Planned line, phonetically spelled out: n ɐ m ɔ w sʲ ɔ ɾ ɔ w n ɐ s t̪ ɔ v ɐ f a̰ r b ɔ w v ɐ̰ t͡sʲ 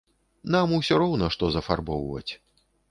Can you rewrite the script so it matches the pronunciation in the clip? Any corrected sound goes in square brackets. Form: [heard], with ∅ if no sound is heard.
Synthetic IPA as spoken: n [a] m [u] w sʲ ɔ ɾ ɔ w n ɐ [ʂ] t̪ ɔ [z] ɐ f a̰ r b ɔ w v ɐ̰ t͡sʲ